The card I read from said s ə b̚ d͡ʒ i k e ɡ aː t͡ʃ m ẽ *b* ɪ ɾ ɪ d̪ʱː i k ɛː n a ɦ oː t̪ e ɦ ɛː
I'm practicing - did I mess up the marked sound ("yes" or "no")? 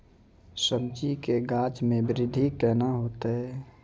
no